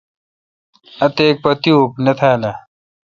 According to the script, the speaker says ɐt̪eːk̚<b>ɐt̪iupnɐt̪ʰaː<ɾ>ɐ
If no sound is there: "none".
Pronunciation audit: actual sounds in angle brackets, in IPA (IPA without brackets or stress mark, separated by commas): p, l